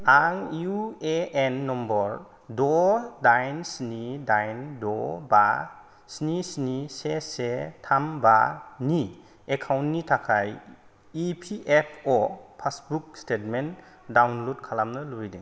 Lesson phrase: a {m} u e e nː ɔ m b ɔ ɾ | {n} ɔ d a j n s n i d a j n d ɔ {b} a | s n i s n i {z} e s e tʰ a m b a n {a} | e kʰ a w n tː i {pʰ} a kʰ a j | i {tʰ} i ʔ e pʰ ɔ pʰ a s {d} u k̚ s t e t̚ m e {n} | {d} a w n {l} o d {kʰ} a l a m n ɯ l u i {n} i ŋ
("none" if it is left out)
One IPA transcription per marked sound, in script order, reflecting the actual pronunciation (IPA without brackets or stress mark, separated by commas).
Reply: ŋ, d, b, s, i, tʰ, pʰ, b, n, d, l, kʰ, d